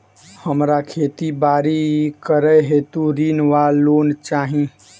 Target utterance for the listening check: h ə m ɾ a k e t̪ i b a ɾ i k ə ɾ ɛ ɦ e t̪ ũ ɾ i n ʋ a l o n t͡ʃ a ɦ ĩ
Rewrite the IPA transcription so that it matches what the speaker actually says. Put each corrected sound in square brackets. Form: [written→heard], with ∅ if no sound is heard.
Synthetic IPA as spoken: h ə m ɾ a [k→kʰ] e t̪ i b a ɾ i k ə ɾ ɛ ɦ e t̪ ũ ɾ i n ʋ a l o n t͡ʃ a ɦ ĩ